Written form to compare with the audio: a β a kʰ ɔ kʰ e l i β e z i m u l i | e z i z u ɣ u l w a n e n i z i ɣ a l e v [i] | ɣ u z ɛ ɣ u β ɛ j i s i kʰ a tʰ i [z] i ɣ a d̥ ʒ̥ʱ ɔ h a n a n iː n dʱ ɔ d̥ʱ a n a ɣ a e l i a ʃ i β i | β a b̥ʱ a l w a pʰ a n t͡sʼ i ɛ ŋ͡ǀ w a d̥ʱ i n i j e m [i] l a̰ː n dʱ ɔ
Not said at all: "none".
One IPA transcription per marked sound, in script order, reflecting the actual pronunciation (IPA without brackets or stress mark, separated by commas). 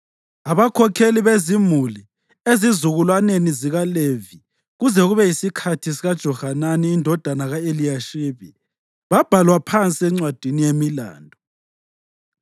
i, s, i